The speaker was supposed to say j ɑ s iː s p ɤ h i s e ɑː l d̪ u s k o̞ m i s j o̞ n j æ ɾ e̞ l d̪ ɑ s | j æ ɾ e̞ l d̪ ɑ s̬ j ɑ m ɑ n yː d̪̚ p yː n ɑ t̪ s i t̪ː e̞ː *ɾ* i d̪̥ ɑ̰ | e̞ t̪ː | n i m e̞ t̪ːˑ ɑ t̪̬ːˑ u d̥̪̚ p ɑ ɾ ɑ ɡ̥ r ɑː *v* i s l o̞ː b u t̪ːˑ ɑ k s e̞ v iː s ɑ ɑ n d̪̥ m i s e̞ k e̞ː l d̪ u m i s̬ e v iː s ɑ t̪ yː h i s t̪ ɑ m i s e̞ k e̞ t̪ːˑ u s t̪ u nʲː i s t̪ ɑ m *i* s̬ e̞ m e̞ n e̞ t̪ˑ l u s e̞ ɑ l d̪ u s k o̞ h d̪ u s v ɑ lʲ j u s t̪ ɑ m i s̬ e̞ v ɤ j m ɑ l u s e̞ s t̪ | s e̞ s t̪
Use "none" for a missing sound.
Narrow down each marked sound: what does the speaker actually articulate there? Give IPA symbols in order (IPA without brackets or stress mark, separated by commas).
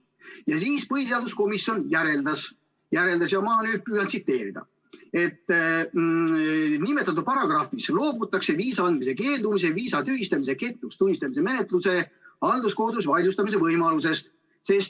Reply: ɾ, f, i